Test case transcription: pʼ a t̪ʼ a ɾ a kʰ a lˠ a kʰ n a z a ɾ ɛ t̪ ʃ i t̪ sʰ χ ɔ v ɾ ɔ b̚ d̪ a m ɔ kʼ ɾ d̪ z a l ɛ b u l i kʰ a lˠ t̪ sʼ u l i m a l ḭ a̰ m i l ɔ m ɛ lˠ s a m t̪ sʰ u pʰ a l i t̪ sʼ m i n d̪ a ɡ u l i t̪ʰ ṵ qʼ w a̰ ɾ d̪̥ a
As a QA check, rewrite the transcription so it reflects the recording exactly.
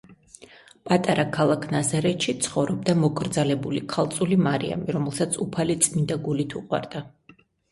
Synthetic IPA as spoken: pʼ a t̪ʼ a ɾ a kʰ a lˠ a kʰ n a z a ɾ ɛ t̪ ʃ i t̪ sʰ χ ɔ v ɾ ɔ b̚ d̪ a m ɔ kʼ ɾ d̪ z a l ɛ b u l i kʰ a lˠ t̪ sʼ u l i m a ɾ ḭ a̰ m i ɾ ɔ m ɛ lˠ s a t̪ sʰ u pʰ a l i t̪ sʼ m i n d̪ a ɡ u l i t̪ʰ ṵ qʼ w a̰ ɾ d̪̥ a

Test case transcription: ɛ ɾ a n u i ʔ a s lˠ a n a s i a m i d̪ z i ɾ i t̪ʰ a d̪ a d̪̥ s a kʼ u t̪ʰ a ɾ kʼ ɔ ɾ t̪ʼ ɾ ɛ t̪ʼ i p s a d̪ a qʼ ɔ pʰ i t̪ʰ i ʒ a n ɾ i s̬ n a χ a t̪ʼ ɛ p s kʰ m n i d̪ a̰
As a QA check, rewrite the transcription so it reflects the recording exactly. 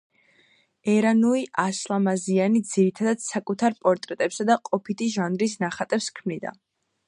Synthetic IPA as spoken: ɛ ɾ a n u i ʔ a s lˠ a m a z i a n i d̪ z i ɾ i t̪ʰ a d̪ a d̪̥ s a kʼ u t̪ʰ a ɾ pʼ ɔ ɾ t̪ʼ ɾ ɛ t̪ʼ ɛ p s a d̪ a qʼ ɔ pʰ i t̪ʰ i ʒ a n ɾ i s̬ n a χ a t̪ʼ ɛ p s kʰ m n i d̪ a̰

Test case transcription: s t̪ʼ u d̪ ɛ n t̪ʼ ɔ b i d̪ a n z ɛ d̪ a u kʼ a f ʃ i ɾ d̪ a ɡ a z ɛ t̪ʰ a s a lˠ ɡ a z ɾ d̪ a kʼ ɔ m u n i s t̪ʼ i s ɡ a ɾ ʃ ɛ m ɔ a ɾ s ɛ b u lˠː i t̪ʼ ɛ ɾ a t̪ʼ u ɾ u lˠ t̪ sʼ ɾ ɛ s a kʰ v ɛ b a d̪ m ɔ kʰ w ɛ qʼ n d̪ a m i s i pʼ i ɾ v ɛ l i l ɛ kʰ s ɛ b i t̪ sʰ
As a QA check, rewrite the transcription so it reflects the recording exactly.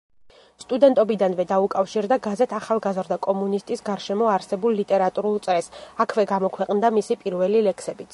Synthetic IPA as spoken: s t̪ʼ u d̪ ɛ n t̪ʼ ɔ b i d̪ a n v ɛ d̪ a u kʼ a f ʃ i ɾ d̪ a ɡ a z ɛ t̪ʰ a χ a lˠ ɡ a z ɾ d̪ a kʼ ɔ m u n i s t̪ʼ i s ɡ a ɾ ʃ ɛ m ɔ a ɾ s ɛ b u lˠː i t̪ʼ ɛ ɾ a t̪ʼ u ɾ u lˠ t̪ sʼ ɾ ɛ s a kʰ v ɛ ɡ a m ɔ kʰ w ɛ qʼ n d̪ a m i s i pʼ i ɾ v ɛ l i l ɛ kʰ s ɛ b i t̪ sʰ

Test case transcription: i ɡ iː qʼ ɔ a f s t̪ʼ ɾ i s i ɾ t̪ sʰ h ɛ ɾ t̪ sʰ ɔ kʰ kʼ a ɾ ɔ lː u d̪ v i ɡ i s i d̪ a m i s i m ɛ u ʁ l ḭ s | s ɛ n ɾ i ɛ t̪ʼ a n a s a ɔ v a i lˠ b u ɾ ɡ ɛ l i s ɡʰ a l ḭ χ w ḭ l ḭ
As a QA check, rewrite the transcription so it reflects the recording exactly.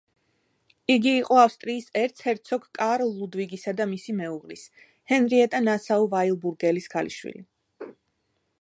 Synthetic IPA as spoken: i ɡ iː qʼ ɔ a f s t̪ʼ ɾ iː s ɛ ɾ t̪ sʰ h ɛ ɾ t̪ sʰ ɔ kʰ kʼ a ɾ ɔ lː u d̪ v i ɡ i s a d̪ a m i s i m ɛ u ʁ l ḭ s | h ɛ n ɾ i ɛ t̪ʼ a n a s a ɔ v a i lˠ b u ɾ ɡ ɛ l i s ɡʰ a l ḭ ʃ w ḭ l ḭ

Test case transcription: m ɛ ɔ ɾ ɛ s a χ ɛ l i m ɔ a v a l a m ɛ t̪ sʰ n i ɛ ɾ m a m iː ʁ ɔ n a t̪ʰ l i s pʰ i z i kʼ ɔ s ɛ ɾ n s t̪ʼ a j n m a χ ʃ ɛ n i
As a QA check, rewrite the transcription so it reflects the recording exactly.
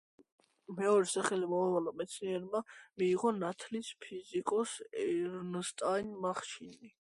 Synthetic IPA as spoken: m ɛ ɔ ɾ ɛ s a χ ɛ l i m ɔ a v a l a m ɛ t̪ sʰ n i ɛ ɾ m a m iː ʁ ɔ n a t̪ʰ l i s pʰ i z i kʼ ɔ s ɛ ɾ n s t̪ʼ a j n m a χ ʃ i n i

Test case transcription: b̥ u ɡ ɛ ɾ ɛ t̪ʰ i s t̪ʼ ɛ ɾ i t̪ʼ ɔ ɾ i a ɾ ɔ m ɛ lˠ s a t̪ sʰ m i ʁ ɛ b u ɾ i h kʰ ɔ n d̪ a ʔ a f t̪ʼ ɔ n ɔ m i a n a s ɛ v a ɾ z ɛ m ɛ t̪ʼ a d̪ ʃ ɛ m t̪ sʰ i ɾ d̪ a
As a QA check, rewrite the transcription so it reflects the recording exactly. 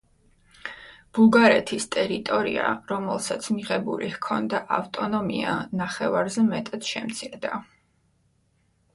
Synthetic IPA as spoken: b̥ u ɡ a ɾ ɛ t̪ʰ i s t̪ʼ ɛ ɾ i t̪ʼ ɔ ɾ i a ɾ ɔ m ɛ lˠ s a t̪ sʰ m i ʁ ɛ b u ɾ i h kʰ ɔ n d̪ a ʔ a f t̪ʼ ɔ n ɔ m i a n a χ ɛ v a ɾ z ɛ m ɛ t̪ʼ a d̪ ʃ ɛ m t̪ sʰ i ɾ d̪ a

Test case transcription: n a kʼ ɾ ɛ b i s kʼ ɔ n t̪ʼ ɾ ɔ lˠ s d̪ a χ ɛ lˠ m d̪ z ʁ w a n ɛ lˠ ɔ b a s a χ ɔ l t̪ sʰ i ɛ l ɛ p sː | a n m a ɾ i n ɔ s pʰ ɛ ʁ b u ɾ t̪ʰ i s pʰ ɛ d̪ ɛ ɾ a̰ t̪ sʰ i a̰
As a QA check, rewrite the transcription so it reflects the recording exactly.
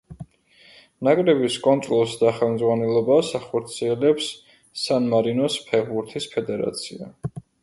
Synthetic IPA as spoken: n a kʼ ɾ ɛ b i s kʼ ɔ n t̪ʼ ɾ ɔ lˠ s d̪ a χ ɛ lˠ m d̪ z ʁ w a n ɛ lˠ ɔ b a s a χ ɔ ɾ t̪ sʰ i ɛ l ɛ p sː | a n m a ɾ i n ɔ s pʰ ɛ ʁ b u ɾ t̪ʰ i s pʰ ɛ d̪ ɛ ɾ a̰ t̪ sʰ i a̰

